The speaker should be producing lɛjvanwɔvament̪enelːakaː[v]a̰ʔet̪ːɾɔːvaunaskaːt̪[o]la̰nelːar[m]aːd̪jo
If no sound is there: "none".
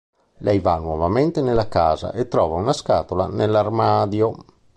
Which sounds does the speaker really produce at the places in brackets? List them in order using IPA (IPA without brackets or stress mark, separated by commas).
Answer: z, o, m